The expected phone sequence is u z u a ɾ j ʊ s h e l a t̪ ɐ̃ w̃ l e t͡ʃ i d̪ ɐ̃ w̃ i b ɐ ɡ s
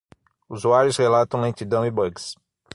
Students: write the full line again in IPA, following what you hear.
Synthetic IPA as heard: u z u a ɾ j ʊ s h e l a t̪ ɐ̃ w̃ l ẽ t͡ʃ i d̪ ɐ̃ w̃ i b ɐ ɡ s